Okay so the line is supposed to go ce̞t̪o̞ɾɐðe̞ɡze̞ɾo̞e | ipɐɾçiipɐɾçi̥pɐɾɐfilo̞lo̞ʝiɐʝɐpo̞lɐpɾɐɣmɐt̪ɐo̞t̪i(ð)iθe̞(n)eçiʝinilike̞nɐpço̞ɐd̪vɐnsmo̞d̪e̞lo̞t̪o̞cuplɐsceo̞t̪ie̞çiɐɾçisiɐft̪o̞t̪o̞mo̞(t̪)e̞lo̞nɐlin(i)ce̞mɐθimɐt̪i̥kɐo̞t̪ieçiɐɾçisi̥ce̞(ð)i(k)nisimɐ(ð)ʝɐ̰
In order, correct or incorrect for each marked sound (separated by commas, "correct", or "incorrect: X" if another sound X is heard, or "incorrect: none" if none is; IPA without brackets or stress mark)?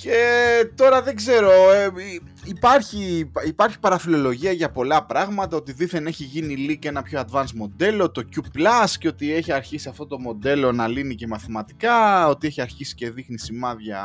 correct, correct, incorrect: d̪, correct, correct, incorrect: x, correct